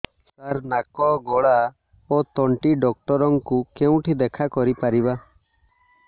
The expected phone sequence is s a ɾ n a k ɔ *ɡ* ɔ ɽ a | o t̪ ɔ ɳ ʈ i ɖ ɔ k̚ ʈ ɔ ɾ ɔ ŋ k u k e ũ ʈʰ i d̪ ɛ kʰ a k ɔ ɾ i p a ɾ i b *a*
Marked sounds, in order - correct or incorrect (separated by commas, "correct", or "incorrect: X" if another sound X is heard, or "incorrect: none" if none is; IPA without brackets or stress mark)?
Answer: correct, correct